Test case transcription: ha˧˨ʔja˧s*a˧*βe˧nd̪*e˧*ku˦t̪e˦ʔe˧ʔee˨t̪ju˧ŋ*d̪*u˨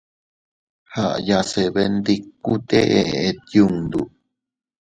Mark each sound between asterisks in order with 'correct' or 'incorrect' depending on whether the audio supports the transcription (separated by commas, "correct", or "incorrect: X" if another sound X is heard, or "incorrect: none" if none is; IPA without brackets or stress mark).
incorrect: e˧, incorrect: i˧, correct